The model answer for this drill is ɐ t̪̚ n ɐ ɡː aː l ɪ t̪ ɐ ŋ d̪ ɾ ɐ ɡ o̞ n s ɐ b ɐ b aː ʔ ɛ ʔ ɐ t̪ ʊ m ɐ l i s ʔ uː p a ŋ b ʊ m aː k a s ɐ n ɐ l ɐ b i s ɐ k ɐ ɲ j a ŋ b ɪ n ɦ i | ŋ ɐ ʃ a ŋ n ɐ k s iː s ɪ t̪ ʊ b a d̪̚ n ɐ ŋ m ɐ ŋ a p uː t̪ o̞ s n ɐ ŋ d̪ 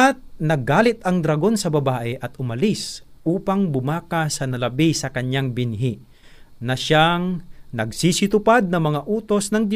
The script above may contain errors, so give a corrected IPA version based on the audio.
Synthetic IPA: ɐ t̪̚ n ɐ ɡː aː l ɪ t̪ ɐ ŋ d̪ ɾ ɐ ɡ o̞ n s ɐ b ɐ b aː ʔ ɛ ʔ ɐ t̪ ʊ m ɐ l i s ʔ uː p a ŋ b ʊ m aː k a s ɐ n ɐ l ɐ b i s ɐ k ɐ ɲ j a ŋ b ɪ n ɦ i | n ɐ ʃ a ŋ n ɐ ɡ s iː s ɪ t̪ ʊ p a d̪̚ n ɐ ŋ m ɐ ŋ a ʔ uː t̪ o̞ s n ɐ ŋ d̪